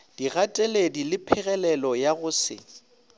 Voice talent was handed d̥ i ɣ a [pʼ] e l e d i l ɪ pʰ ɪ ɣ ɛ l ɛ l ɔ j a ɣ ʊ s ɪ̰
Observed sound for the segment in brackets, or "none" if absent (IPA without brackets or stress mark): tʼ